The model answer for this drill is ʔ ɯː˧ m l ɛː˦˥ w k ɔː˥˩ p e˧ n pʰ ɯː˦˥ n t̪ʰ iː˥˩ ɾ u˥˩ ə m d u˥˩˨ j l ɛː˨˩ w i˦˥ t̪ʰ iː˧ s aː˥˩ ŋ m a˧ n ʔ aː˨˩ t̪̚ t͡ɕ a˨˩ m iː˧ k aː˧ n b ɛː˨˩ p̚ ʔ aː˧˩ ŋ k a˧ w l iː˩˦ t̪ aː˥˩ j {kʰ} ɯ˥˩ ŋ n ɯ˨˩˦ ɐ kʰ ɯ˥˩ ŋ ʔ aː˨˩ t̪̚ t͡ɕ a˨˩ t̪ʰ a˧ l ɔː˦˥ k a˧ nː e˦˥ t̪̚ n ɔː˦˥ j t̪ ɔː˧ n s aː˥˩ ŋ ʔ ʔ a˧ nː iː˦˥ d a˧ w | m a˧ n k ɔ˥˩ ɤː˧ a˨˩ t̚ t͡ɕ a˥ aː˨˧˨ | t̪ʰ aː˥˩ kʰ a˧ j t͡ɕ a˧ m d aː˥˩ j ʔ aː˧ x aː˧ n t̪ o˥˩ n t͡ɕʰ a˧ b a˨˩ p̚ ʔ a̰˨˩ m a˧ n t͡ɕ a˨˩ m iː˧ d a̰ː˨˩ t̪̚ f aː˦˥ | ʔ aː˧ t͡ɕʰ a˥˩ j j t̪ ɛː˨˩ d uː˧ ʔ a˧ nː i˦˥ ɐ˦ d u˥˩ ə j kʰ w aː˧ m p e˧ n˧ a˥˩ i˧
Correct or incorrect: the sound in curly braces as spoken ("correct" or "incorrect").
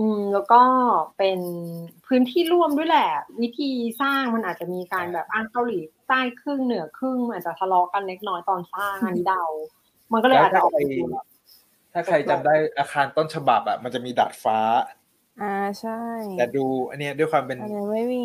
correct